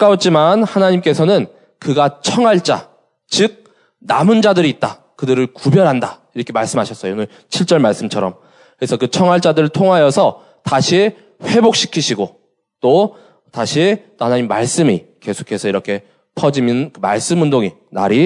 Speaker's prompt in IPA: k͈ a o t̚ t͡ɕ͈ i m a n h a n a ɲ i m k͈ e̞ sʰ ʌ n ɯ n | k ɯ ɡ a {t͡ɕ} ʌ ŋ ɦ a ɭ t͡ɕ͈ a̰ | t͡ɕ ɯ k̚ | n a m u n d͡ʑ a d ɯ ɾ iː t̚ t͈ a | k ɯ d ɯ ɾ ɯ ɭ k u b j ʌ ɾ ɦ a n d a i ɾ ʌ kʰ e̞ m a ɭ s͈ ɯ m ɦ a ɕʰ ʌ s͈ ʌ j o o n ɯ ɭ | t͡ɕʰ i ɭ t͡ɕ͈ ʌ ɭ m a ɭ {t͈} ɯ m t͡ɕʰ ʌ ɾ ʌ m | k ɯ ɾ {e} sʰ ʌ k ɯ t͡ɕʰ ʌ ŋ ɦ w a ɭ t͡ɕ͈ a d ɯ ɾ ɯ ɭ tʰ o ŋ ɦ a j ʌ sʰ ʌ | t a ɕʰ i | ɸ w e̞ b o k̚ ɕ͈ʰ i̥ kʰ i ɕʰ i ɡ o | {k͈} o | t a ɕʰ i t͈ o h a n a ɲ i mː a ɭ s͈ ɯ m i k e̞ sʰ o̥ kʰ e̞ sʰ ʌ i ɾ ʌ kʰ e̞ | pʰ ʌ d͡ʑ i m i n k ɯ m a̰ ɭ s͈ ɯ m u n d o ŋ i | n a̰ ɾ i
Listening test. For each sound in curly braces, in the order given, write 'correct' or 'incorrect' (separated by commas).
incorrect, incorrect, correct, incorrect